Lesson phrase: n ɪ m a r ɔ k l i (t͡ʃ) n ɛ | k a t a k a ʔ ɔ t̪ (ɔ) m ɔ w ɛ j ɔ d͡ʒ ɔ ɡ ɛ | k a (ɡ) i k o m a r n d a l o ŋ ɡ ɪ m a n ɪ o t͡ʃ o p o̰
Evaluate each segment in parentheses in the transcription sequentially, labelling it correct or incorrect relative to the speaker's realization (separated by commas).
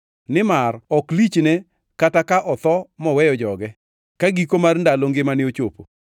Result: correct, correct, correct